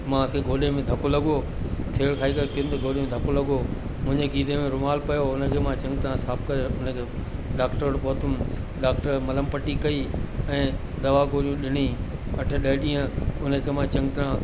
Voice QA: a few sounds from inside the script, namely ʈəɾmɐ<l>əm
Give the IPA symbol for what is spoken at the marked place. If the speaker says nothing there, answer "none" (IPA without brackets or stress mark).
l